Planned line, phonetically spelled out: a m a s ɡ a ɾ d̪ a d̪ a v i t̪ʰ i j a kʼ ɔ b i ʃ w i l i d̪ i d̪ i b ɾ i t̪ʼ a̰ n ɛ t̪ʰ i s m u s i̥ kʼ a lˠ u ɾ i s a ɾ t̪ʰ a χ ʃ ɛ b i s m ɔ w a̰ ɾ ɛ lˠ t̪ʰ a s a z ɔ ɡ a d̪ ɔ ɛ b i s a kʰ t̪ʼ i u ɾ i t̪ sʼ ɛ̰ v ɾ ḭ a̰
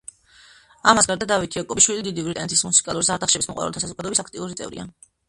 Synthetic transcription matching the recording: a m a s ɡ a ɾ d̪ a d̪ a v i t̪ʰ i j a kʼ ɔ b i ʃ w i l i d̪ i d̪ i v ɾ i t̪ʼ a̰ n ɛ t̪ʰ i s m u s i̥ kʼ a lˠ u ɾ i s a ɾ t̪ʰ a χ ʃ ɛ b i s m ɔ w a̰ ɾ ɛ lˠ t̪ʰ a s a z ɔ ɡ a d̪ ɔ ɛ b i s a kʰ t̪ʼ i u ɾ i t̪ sʼ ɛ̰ v ɾ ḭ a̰